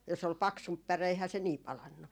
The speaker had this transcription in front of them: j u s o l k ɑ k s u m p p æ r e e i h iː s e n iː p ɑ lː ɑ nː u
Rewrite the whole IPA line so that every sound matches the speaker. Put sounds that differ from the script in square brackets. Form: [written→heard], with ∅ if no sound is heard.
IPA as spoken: j [u→o] s o l [k→p] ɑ k s u m p p æ r e e i h [iː→æː] s e n iː p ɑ [lː→l] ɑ nː u